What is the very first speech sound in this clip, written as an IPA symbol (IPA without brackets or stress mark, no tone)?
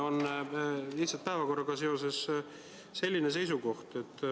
o̞